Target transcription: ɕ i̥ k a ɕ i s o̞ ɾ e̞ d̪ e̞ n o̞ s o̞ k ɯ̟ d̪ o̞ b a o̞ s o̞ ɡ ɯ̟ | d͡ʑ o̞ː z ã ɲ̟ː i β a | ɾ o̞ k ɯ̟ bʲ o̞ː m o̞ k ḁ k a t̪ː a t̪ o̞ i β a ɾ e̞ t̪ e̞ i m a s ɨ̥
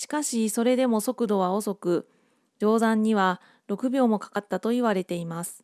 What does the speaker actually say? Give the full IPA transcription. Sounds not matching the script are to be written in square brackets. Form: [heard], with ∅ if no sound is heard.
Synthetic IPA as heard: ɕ i̥ k a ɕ i s o̞ ɾ e̞ d̪ e̞ [m] o̞ s o̞ k ɯ̟ d̪ o̞ [β] a o̞ s o̞ [k] ɯ̟ | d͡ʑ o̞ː z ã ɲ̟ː i β a | ɾ o̞ k ɯ̟ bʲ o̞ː m o̞ k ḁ k a t̪ː a t̪ o̞ i β a ɾ e̞ t̪ e̞ i m a s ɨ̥